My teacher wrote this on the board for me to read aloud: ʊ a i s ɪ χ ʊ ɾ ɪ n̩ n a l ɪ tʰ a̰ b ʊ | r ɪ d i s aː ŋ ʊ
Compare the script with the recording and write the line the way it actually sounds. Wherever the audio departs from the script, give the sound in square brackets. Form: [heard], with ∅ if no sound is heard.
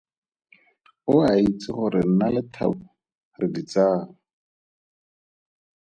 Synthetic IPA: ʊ a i [t͡s] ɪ χ ʊ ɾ ɪ n̩ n a l ɪ tʰ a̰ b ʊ | r ɪ d i [t͡s] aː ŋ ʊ